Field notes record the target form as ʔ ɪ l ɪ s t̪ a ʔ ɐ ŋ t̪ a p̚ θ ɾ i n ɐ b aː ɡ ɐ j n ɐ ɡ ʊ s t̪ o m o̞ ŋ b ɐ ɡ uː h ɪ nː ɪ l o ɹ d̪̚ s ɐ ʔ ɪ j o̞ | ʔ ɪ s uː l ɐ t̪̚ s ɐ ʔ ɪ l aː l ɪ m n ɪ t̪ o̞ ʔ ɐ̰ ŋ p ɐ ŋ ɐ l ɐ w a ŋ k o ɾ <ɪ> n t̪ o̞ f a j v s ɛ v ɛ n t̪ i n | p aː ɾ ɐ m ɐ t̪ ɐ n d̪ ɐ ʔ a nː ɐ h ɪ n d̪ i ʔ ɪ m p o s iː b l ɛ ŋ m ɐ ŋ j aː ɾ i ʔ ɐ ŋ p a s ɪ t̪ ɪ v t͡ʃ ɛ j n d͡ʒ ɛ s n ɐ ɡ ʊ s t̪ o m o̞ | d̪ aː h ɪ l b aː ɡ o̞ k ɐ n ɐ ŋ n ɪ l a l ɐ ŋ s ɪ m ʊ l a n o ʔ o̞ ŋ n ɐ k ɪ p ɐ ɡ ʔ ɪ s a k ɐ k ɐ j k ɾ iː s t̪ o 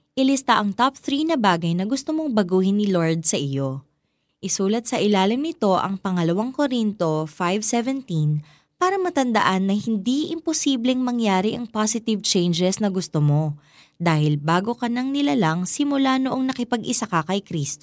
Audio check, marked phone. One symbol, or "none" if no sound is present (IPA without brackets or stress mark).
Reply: i